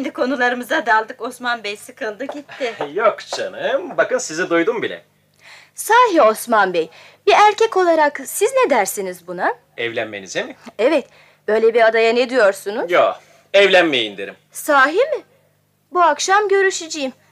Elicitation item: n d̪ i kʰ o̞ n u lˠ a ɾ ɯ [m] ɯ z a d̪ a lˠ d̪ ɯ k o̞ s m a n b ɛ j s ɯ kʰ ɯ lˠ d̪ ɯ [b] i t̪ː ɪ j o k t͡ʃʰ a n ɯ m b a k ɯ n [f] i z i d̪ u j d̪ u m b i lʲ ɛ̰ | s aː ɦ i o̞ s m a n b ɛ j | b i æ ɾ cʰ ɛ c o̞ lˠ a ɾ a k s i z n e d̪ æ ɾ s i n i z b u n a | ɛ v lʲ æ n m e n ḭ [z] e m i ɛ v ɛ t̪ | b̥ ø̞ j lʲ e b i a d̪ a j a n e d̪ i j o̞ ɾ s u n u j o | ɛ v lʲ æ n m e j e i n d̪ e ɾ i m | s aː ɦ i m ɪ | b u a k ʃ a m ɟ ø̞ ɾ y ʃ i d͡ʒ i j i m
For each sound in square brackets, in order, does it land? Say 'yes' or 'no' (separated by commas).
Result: yes, no, no, yes